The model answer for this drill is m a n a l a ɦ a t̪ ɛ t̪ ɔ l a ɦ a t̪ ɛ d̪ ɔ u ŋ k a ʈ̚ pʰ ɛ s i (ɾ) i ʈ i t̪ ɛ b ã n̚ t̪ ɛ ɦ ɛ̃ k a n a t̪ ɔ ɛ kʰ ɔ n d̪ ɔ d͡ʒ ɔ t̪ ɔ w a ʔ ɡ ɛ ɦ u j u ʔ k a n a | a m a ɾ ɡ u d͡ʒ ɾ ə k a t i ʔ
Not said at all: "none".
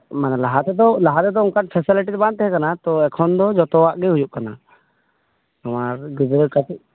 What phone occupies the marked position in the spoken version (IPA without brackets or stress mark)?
l